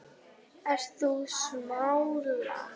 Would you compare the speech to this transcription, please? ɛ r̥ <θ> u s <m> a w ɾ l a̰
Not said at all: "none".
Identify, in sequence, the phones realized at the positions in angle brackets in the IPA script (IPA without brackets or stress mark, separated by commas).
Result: θ, m